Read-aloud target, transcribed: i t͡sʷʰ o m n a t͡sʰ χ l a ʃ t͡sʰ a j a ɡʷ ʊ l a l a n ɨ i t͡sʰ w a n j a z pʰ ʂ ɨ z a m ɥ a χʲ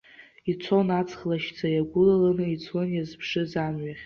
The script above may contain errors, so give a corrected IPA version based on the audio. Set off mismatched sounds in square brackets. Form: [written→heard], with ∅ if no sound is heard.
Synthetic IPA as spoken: i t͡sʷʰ o [m→∅] n a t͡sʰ χ l a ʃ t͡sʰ a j a ɡʷ ʊ l a l a n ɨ i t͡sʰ w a n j a z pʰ ʂ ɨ z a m ɥ a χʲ